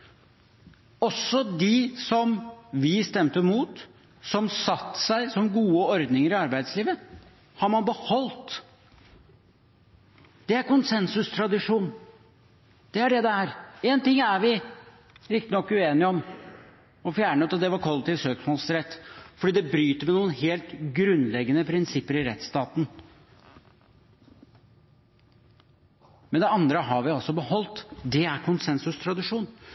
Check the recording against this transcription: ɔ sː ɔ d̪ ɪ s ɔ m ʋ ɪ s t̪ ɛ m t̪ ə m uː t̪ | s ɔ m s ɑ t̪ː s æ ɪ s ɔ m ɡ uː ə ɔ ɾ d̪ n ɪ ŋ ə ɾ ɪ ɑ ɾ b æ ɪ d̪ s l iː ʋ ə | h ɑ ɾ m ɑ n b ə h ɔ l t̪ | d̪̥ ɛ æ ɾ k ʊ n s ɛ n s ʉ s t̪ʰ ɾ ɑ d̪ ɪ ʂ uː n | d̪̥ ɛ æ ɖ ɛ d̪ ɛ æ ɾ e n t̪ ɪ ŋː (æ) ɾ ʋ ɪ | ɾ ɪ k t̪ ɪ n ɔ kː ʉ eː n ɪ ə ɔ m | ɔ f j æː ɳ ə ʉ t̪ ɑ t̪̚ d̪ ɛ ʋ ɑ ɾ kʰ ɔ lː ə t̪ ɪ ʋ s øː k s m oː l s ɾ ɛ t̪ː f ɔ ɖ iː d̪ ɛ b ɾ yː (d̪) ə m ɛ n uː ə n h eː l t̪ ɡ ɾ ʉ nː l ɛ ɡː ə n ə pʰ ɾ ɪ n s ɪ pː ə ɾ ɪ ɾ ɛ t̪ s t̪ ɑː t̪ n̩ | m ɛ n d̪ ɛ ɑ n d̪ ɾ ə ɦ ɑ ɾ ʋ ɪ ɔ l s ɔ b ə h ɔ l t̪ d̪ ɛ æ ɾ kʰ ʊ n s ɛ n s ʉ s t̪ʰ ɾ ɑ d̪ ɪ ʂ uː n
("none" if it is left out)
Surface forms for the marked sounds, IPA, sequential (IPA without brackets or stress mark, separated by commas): æ, t̪